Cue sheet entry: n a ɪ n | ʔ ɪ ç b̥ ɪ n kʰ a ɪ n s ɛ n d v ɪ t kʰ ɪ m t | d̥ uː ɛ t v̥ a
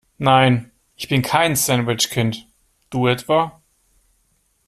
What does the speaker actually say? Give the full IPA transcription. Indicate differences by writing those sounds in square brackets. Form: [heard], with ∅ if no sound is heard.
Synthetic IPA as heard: n a ɪ n | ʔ ɪ ç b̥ ɪ n kʰ a ɪ n s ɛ n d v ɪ [t͡ʃ] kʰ ɪ [n] t | d̥ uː ɛ t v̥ a